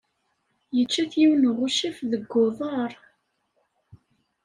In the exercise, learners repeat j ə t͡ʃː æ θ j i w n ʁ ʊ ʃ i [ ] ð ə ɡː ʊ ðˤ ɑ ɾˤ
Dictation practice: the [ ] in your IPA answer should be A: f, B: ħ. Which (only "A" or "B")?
A